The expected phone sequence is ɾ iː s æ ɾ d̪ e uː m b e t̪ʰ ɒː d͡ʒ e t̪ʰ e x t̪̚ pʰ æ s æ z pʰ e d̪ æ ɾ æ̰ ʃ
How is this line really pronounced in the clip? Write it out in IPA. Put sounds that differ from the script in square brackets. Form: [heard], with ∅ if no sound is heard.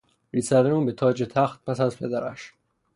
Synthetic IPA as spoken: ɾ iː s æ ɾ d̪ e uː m b e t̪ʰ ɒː d͡ʒ e t̪ʰ [æ] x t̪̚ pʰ æ s æ z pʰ e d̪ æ ɾ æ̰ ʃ